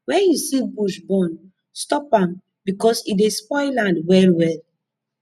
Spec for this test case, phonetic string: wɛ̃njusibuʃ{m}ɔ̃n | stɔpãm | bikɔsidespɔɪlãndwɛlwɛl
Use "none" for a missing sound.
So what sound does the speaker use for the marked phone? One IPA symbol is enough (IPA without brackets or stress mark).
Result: b